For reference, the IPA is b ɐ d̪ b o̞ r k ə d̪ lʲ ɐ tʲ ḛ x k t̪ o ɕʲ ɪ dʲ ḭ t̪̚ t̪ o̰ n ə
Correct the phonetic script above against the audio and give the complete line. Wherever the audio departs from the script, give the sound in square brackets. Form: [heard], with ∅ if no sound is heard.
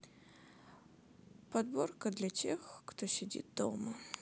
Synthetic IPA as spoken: [p] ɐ d̪ b o̞ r k ə d̪ lʲ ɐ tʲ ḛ x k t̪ o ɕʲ ɪ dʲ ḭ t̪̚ [d̪] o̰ [m] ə